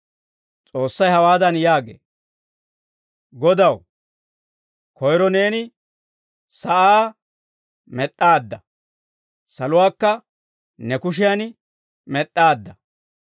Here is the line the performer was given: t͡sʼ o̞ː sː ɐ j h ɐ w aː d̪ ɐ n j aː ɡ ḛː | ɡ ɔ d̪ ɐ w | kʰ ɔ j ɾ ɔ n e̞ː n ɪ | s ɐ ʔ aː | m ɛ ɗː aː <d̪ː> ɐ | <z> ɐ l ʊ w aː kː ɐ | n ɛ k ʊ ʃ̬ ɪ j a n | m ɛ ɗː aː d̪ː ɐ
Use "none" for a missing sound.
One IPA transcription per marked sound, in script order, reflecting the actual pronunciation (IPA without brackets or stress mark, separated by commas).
d̪ː, s